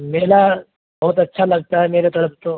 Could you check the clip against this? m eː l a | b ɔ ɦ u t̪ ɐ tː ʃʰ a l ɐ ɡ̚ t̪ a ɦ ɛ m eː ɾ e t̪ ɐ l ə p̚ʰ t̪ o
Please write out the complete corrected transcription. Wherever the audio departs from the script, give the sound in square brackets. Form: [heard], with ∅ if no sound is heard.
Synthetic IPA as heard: m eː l a | b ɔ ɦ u t̪ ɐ tː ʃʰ a l ɐ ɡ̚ t̪ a ɦ ɛ m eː ɾ e t̪ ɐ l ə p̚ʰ t̪ o